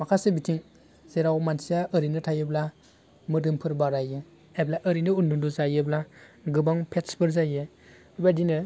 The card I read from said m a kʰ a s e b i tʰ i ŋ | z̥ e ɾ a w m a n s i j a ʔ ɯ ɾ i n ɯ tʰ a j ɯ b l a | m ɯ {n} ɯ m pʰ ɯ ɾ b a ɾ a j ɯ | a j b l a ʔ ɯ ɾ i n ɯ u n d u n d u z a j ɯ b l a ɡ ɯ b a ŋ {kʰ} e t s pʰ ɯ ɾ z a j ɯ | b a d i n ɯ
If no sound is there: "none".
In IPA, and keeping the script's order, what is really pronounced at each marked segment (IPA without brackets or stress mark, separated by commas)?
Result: d, pʰ